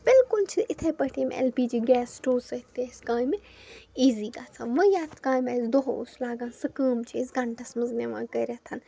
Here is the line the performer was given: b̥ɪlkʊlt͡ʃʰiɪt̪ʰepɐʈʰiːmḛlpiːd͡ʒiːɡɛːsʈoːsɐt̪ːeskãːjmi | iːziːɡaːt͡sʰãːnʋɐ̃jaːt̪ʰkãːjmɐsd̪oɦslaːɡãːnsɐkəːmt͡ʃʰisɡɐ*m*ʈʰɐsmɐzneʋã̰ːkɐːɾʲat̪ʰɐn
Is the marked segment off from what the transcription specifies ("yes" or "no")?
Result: yes